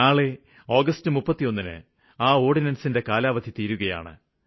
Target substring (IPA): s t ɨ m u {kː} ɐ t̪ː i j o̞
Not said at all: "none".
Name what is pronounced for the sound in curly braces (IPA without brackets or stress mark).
pː